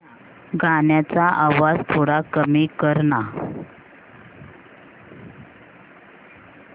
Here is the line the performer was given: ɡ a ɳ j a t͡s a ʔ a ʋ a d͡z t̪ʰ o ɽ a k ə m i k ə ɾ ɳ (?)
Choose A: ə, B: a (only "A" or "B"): B